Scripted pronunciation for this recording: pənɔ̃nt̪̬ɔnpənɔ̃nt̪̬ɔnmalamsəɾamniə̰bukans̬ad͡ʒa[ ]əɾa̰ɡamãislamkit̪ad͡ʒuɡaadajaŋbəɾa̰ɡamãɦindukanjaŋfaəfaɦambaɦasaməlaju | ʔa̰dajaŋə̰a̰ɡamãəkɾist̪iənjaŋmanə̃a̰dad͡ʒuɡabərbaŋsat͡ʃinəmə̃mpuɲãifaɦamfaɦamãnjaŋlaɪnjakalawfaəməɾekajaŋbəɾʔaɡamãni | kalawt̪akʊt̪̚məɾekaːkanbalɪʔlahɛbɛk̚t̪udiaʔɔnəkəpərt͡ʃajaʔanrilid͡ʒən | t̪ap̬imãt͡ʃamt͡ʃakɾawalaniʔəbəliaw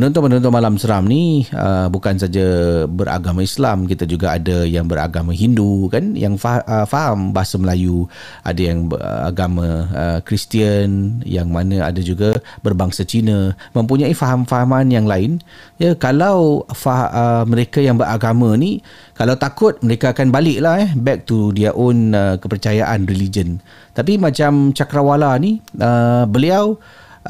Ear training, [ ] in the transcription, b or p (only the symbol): b